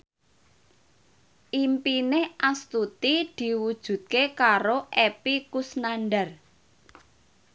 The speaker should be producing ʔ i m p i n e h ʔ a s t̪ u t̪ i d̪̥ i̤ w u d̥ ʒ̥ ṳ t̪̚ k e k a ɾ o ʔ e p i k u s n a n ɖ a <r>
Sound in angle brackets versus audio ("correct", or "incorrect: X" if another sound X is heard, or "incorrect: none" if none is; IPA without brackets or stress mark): correct